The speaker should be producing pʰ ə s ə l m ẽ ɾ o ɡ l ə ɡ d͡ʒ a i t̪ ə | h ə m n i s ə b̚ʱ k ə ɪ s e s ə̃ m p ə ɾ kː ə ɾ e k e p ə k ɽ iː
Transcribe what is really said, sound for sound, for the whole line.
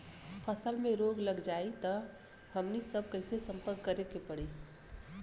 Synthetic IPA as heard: pʰ ə s ə l m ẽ ɾ o ɡ l ə ɡ d͡ʒ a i t̪ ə | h ə m n i s ə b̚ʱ k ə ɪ s e s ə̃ m p ə ɾ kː ə ɾ e k e p ə ɽ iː